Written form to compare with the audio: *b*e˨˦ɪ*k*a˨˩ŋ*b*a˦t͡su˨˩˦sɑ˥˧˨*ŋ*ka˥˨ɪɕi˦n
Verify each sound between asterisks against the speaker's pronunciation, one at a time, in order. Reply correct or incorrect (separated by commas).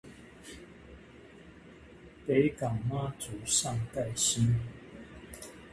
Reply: incorrect, correct, incorrect, correct